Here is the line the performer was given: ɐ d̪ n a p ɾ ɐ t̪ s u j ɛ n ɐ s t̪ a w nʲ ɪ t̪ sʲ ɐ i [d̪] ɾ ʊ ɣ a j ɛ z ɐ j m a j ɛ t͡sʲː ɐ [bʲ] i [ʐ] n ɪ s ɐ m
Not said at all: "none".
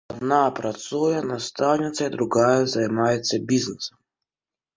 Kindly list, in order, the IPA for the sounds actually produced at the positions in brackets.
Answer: d̪, bʲ, z

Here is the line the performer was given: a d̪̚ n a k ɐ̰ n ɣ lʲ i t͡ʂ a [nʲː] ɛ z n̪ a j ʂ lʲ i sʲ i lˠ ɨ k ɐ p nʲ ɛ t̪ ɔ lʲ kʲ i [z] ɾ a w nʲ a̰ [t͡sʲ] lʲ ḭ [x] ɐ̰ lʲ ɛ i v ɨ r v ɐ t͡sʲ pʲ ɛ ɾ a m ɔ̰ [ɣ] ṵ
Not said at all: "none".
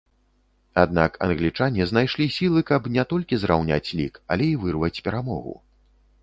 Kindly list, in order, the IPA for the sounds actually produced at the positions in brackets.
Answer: nʲ, z, t͡sʲ, k, ɣ

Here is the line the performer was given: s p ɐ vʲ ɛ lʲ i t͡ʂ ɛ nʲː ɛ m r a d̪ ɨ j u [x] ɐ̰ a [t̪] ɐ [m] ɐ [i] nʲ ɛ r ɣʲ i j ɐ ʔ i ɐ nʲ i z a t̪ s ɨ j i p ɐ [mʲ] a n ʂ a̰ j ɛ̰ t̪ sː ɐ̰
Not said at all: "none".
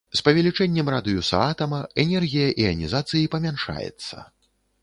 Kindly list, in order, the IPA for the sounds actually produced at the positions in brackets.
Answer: s, t̪, m, ɛ, mʲ

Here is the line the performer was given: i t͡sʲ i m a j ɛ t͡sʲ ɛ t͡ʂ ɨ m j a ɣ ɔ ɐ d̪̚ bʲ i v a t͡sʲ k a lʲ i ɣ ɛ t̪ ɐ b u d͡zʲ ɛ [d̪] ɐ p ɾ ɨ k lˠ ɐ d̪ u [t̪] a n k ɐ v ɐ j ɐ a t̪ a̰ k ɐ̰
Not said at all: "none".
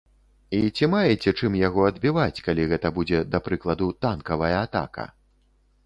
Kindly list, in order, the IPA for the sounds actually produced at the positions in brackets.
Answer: d̪, t̪

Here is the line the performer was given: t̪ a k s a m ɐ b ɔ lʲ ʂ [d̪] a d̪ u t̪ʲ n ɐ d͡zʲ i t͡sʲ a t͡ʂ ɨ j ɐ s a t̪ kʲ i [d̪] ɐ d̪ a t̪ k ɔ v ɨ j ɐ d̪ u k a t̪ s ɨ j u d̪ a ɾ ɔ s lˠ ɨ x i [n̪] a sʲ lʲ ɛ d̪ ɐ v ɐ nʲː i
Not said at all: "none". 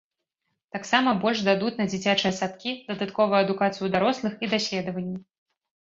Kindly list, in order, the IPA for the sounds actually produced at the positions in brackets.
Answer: d̪, d̪, d̪

